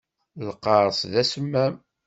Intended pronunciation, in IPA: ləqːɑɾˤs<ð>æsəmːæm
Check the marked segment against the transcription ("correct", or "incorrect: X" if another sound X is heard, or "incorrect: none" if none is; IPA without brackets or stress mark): correct